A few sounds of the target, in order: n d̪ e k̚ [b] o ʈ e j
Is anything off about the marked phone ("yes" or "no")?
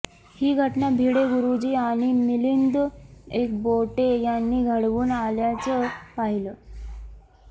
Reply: no